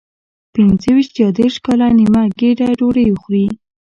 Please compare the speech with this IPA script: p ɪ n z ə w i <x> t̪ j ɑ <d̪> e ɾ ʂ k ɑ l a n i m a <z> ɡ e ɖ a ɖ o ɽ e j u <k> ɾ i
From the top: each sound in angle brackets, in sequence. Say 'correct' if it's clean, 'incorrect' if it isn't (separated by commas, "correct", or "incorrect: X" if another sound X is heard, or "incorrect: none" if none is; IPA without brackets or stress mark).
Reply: incorrect: ʃ, correct, incorrect: none, incorrect: x